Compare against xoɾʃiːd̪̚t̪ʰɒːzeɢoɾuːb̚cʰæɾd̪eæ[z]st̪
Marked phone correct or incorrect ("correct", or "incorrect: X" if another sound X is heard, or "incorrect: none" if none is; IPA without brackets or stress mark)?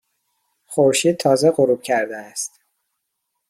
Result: incorrect: none